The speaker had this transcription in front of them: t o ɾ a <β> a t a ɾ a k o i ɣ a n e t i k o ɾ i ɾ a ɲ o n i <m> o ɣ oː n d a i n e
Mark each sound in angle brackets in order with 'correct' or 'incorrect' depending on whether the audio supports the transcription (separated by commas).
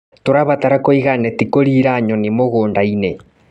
correct, correct